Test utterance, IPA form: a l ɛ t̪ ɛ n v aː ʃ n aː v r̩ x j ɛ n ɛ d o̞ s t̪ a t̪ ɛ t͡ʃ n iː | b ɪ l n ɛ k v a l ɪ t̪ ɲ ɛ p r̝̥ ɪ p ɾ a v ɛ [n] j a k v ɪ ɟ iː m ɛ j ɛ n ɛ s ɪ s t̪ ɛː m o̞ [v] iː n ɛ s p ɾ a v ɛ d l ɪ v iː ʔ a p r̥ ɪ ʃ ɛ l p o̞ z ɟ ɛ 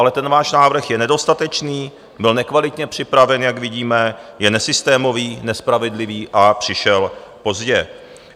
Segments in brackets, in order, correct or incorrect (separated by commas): correct, correct